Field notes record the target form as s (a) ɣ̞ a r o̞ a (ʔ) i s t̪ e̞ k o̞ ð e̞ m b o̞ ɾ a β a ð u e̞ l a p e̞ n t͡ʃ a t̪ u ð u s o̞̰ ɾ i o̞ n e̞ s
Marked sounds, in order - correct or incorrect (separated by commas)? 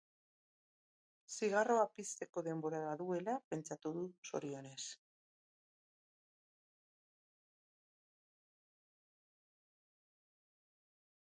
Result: incorrect, incorrect